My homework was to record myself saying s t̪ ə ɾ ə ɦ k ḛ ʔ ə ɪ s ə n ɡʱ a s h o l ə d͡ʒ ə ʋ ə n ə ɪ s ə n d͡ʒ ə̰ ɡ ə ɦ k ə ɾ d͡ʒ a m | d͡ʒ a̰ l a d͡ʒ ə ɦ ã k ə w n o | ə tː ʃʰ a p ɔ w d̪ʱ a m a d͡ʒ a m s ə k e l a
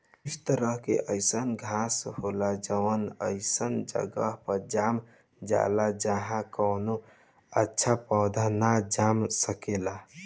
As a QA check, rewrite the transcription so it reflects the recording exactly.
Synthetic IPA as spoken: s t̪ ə ɾ ə ɦ k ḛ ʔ ə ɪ s ə n ɡʱ a s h o l a d͡ʒ ə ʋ ə n ə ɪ s ə n d͡ʒ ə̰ ɡ ə ɦ p ə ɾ d͡ʒ a m | d͡ʒ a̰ l a d͡ʒ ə ɦ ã k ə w n o | ə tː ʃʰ a p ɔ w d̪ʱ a n a d͡ʒ a m s ə k e l a